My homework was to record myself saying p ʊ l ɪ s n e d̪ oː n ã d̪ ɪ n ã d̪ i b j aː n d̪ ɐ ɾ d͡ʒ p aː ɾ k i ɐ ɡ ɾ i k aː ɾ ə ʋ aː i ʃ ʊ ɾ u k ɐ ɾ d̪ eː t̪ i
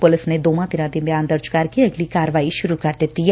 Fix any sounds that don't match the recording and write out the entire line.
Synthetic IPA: p ʊ l ɪ s n e d̪ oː m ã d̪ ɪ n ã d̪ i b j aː n d̪ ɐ ɾ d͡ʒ k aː ɾ k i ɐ ɡ l i k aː ɾ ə ʋ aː i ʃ ʊ ɾ u k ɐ ɾ d̪ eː t̪ i